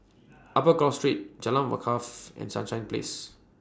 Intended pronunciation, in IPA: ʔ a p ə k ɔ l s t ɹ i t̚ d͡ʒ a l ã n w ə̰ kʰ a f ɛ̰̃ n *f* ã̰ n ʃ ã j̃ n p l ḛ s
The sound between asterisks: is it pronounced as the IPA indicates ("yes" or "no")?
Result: no